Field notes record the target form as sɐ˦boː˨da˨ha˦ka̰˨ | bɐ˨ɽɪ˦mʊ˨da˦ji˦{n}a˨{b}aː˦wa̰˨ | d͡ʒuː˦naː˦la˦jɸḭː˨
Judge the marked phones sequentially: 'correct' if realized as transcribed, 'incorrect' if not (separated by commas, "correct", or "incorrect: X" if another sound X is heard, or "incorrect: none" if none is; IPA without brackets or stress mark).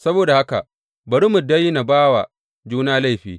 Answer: correct, correct